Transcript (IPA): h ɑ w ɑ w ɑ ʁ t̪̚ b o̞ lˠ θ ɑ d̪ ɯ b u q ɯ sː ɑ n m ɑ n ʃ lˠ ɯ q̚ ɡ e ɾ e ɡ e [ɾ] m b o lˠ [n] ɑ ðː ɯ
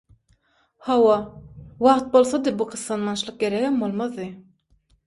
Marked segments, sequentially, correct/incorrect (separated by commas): incorrect, incorrect